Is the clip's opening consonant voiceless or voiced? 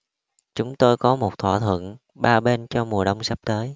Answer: voiceless